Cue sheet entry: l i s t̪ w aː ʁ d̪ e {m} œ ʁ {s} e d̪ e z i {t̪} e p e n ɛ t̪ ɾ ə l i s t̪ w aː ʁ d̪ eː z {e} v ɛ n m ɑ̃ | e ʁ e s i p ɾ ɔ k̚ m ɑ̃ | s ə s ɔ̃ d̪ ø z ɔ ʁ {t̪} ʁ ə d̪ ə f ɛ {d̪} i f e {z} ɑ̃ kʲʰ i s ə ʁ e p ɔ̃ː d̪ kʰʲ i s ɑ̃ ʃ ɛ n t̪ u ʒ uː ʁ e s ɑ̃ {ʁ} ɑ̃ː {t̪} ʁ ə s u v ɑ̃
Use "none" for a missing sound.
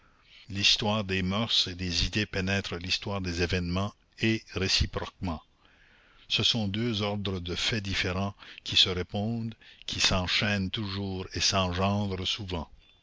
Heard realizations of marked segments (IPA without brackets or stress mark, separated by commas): m, s, d̪, e, d̪, d̪, ʁ, ʒ, d̪